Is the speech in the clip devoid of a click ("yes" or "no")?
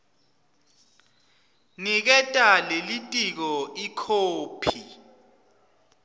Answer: yes